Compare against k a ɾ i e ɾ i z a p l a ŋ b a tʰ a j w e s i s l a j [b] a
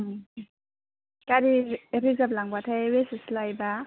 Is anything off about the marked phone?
no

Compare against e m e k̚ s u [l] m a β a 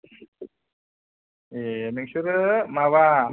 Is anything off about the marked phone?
yes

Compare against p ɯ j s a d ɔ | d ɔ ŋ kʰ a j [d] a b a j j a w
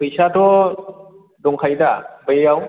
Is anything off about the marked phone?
no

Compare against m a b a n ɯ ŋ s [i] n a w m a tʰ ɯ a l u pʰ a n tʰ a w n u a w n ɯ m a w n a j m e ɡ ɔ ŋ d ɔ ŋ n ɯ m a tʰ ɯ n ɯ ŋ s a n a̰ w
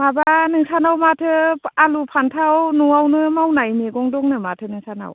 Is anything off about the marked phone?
yes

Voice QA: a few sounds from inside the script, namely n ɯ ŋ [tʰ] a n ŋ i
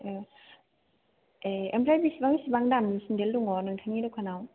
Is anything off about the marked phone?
no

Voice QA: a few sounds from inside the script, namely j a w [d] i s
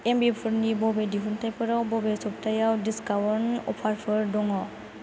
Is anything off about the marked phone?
no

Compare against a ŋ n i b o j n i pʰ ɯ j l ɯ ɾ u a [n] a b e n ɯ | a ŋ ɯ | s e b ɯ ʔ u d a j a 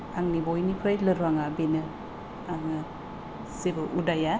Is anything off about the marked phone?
yes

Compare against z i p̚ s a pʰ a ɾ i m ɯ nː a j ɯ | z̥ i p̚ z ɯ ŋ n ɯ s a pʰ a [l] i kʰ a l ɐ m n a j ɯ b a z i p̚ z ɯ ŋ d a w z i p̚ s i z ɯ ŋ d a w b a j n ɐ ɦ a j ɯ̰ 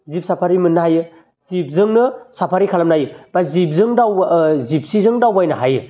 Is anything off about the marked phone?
yes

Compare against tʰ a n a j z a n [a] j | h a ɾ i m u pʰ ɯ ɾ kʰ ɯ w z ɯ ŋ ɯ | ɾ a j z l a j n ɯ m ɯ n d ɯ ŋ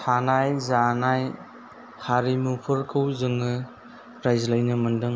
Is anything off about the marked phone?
no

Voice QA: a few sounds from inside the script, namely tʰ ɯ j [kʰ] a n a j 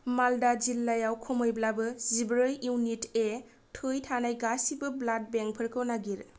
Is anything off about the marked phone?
yes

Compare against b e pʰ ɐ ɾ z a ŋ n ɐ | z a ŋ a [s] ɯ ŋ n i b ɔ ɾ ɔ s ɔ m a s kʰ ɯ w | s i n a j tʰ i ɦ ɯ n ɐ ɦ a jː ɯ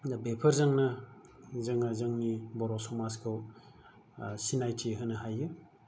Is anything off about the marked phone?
yes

